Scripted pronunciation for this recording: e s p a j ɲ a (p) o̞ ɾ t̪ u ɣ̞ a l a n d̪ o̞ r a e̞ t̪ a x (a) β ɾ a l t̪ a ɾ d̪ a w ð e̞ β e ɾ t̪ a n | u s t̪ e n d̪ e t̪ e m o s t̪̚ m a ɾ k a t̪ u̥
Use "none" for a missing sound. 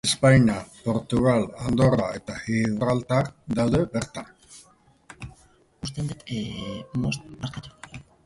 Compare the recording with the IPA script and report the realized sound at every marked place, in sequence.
p, i

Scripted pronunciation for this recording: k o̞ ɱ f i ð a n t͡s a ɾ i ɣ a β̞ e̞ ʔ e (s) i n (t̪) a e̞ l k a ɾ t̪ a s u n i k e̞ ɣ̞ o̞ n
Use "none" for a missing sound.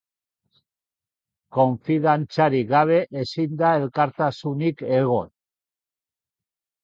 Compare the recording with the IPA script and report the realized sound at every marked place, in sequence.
s, d̪

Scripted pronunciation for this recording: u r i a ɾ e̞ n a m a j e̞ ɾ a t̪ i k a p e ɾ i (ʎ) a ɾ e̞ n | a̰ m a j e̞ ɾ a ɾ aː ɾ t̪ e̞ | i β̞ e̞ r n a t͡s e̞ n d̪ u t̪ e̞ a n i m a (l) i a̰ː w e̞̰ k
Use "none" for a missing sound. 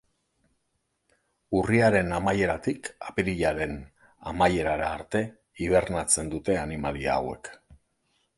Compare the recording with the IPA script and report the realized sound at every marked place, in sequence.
ʎ, l

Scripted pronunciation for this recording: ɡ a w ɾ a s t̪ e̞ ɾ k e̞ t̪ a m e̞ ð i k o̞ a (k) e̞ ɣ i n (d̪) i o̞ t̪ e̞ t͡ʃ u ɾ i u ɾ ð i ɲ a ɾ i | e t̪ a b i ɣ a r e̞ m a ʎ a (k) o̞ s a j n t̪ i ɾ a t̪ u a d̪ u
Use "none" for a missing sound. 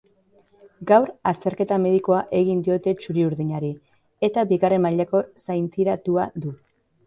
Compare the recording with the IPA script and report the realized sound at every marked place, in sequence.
ʔ, d̪, k

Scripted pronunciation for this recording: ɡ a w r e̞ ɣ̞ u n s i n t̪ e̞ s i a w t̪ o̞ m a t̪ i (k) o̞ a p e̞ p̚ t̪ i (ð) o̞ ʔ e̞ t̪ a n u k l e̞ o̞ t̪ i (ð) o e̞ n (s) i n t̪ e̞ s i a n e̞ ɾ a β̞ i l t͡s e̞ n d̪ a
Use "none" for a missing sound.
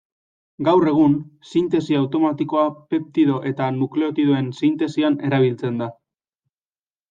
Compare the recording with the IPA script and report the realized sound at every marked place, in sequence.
k, ð, ð, s

